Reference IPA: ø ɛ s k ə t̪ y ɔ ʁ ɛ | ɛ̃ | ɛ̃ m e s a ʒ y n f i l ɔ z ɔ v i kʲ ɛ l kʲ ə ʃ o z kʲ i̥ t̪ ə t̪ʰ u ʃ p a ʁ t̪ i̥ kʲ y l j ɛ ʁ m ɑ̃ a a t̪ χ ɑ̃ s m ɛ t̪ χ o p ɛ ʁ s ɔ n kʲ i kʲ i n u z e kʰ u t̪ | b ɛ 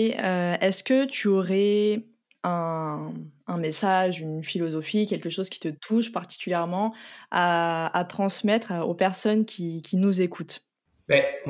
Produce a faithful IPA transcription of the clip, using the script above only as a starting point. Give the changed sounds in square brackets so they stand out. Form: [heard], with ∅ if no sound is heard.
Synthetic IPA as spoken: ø ɛ s k ə t̪ y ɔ ʁ ɛ | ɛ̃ | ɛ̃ m e s a ʒ y n f i l ɔ z ɔ [f] i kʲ ɛ l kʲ ə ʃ o z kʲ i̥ t̪ ə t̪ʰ u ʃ p a ʁ t̪ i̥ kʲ y l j ɛ ʁ m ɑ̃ a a t̪ χ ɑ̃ s m ɛ t̪ χ o p ɛ ʁ s ɔ n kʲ i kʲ i n u z e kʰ u t̪ | b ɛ